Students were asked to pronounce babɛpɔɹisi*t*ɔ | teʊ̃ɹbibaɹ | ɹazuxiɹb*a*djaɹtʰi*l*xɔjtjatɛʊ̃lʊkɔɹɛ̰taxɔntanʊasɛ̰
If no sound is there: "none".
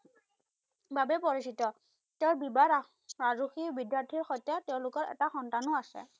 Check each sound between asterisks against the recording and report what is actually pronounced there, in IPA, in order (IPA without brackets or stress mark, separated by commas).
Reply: t, i, ɹ